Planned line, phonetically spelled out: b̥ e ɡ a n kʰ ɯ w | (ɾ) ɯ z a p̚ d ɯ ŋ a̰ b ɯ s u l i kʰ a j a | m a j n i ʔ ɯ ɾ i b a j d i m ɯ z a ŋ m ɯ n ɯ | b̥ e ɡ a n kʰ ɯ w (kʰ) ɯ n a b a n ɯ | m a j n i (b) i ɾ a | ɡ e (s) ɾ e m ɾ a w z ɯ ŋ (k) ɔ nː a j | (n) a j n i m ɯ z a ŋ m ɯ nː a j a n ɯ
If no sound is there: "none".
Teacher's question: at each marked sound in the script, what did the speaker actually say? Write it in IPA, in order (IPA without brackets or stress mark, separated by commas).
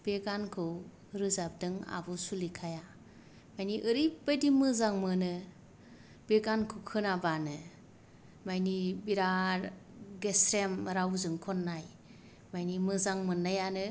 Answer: ɾ, kʰ, b, s, kʰ, m